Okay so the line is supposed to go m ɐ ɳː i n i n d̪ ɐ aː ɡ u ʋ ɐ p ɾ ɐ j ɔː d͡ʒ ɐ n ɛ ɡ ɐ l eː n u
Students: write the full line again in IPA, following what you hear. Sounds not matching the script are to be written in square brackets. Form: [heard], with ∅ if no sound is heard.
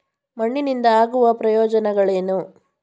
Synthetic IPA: m ɐ ɳː i n i n d̪ ɐ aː ɡ u ʋ ɐ p ɾ ɐ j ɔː d͡ʒ ɐ n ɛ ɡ ɐ [ɭ] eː n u